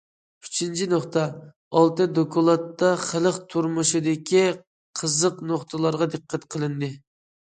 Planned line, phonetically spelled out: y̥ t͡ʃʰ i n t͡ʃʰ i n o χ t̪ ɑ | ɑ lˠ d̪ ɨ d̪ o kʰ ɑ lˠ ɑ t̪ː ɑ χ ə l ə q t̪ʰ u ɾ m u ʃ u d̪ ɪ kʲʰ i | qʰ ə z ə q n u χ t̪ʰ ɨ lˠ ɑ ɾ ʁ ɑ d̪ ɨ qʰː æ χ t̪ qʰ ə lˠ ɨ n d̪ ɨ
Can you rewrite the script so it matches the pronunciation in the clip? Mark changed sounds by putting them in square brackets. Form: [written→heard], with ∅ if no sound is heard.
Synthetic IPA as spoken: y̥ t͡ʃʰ i n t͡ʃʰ i n o χ t̪ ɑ | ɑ lˠ [d̪→t̪] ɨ d̪ o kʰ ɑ lˠ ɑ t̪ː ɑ χ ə l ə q t̪ʰ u ɾ m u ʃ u d̪ ɪ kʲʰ i | qʰ ə z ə q n [u→o] χ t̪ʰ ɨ lˠ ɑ ɾ ʁ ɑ d̪ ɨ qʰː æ [χ→∅] t̪ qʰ ə lˠ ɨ n d̪ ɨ